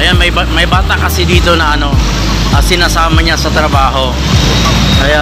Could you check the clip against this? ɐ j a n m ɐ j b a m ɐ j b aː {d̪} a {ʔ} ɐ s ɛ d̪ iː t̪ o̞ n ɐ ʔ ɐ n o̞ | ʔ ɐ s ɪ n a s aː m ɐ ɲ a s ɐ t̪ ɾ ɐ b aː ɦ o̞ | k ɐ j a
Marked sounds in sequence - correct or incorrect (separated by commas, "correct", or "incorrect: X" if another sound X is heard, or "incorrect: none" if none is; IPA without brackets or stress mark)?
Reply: incorrect: t̪, incorrect: k